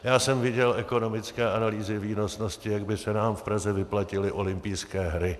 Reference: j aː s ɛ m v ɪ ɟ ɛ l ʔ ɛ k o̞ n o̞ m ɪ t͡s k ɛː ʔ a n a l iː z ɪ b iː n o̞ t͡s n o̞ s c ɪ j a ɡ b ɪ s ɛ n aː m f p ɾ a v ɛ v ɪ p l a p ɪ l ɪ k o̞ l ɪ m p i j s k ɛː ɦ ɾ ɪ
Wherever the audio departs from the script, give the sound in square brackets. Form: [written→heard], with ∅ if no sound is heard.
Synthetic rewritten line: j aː s ɛ m v ɪ ɟ ɛ l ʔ ɛ k o̞ n o̞ m ɪ t͡s k ɛː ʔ a n a l iː z ɪ [b→v] iː n o̞ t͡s n o̞ s c ɪ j a ɡ b ɪ s ɛ n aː m f p ɾ a [v→z] ɛ v ɪ p l a [p→c] ɪ l ɪ [k→ʔ] o̞ l ɪ m p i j s k ɛː ɦ ɾ ɪ